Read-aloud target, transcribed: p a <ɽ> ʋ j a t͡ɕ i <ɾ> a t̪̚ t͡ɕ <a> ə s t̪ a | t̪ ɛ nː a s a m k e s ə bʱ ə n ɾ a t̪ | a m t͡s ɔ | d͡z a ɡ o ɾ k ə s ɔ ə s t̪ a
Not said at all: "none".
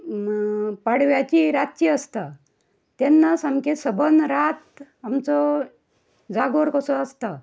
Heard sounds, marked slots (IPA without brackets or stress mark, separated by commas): ɽ, ɾ, i